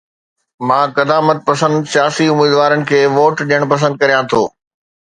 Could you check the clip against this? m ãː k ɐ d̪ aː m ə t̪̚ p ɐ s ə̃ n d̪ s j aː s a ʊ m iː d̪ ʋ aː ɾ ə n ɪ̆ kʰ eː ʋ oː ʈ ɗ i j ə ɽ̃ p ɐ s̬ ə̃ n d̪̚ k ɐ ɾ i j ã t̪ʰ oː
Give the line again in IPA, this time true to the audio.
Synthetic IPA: m ãː k ɐ d̪ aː m ə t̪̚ p ɐ s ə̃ n d̪ s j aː s i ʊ m iː d̪ ʋ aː ɾ ə n ɪ̆ kʰ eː ʋ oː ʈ ɗ i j ə ɽ̃ p ɐ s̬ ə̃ n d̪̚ k ɐ ɾ i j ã t̪ʰ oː